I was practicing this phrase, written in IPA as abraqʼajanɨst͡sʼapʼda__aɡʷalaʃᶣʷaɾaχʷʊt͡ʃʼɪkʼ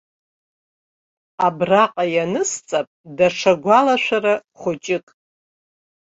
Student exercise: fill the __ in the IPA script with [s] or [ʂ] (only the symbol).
ʂ